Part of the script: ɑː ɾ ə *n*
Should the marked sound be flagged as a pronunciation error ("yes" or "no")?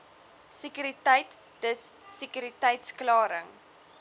yes